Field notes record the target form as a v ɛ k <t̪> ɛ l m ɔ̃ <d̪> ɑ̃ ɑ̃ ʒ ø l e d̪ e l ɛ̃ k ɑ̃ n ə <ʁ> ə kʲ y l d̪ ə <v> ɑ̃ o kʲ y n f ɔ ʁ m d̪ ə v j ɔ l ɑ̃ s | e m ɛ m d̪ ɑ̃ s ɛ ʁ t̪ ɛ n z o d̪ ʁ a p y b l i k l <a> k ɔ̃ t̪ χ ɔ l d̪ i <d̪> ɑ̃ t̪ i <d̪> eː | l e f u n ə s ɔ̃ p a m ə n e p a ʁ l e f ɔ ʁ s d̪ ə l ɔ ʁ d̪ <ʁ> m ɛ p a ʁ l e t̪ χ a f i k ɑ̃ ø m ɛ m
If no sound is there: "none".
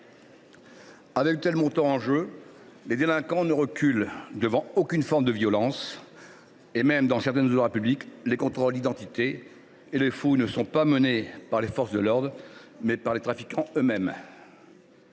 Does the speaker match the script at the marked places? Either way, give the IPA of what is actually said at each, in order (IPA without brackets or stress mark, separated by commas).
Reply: t̪, t̪, ʁ, v, e, d̪, t̪, ʁ